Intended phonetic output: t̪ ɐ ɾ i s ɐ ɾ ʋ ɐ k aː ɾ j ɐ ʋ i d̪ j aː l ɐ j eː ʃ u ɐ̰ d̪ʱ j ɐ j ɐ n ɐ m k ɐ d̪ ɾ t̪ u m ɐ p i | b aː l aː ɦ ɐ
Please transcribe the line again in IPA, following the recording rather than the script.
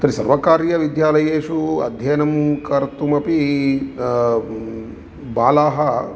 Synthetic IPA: t̪ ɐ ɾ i s ɐ ɾ ʋ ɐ k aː ɾ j ɐ ʋ i d̪ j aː l ɐ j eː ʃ u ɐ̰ d̪ʱ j ɐ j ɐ n ɐ m k ɐ ɾ t̪ u m ɐ p i | b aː l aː ɦ ɐ